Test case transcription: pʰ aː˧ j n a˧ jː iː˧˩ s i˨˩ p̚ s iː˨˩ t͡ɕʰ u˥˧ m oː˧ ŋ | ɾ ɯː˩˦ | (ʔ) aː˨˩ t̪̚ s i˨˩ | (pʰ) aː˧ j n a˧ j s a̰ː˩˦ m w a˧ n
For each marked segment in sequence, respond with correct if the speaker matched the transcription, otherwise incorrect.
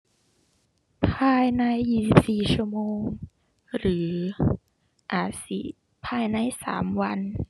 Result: correct, correct

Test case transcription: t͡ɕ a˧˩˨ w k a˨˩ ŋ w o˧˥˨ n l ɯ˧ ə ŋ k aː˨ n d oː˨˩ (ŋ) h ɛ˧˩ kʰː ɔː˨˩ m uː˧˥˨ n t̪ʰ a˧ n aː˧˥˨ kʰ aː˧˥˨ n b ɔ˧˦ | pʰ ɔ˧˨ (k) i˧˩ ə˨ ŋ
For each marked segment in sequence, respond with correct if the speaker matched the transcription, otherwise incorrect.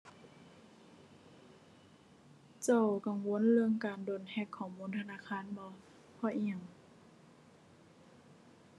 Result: incorrect, incorrect

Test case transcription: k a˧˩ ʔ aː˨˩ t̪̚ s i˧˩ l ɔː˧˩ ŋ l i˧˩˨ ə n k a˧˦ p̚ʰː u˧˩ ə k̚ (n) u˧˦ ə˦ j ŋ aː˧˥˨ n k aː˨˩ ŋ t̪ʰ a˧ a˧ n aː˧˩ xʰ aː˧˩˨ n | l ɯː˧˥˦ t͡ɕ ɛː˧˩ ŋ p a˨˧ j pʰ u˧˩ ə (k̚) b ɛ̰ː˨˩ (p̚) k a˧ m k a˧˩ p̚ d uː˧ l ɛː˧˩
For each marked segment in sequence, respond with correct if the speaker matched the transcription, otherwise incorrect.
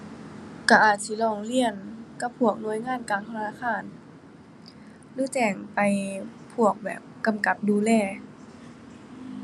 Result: correct, correct, correct

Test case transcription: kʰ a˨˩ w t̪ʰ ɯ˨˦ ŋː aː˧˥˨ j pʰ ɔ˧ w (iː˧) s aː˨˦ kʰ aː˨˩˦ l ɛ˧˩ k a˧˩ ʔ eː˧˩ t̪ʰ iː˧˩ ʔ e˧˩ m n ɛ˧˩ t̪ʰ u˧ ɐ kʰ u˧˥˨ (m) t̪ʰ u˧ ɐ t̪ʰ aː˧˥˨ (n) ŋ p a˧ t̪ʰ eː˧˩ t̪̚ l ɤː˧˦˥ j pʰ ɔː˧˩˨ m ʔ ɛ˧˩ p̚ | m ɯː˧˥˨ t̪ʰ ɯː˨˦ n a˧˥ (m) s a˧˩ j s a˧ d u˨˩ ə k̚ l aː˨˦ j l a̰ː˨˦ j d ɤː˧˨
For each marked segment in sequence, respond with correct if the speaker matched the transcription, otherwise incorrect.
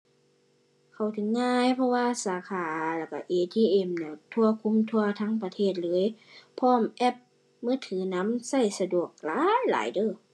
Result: incorrect, correct, incorrect, correct

